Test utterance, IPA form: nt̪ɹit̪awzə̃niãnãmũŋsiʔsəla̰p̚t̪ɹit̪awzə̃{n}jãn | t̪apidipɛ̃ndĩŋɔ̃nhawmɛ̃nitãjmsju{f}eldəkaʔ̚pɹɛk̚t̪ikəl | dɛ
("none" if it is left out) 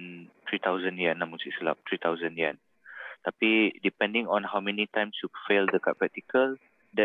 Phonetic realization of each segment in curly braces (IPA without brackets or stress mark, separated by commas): n, f